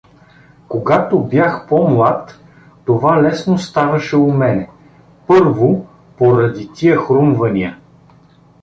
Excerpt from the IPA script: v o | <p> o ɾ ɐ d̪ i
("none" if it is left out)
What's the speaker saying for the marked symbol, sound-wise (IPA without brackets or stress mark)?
p